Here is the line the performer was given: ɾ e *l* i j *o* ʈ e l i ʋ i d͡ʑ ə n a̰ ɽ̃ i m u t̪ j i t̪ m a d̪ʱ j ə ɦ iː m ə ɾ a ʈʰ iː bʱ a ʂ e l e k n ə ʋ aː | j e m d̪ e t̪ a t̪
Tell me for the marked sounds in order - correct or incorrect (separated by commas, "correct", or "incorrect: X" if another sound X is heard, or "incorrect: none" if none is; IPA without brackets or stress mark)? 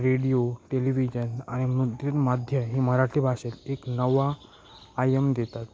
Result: incorrect: ɽ, correct